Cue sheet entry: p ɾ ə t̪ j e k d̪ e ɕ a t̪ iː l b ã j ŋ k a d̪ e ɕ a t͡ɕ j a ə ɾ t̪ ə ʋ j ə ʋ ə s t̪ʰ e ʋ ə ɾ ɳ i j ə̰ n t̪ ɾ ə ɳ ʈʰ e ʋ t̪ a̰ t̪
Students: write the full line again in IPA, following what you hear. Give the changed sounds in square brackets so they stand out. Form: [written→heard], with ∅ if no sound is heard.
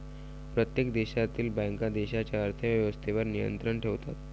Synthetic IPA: p ɾ ə t̪ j e k d̪ e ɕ a t̪ iː l b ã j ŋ k a d̪ e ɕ a t͡ɕ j a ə ɾ [t̪→t̪ʰ] ə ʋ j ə ʋ ə s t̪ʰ e ʋ ə ɾ [ɳ→n] i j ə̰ n t̪ ɾ ə ɳ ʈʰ e ʋ t̪ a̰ t̪